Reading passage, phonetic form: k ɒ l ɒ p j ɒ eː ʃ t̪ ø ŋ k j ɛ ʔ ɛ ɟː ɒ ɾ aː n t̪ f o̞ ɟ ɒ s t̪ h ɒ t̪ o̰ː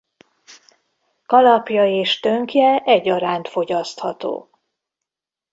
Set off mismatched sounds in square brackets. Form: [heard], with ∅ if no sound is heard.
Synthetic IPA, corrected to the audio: k ɒ l ɒ p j ɒ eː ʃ t̪ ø ŋ k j ɛ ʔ ɛ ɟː ɒ ɾ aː n t̪ f o̞ ɟ ɒ s t̪ h ɒ t̪ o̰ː